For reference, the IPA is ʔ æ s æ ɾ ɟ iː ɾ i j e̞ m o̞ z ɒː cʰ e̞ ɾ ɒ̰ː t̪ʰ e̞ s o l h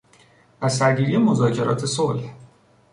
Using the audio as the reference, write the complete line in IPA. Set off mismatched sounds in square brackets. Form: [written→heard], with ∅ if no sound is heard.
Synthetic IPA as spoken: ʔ æ s æ ɾ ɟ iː ɾ i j e̞ m o̞ z ɒː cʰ e̞ ɾ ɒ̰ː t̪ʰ e̞ s o l h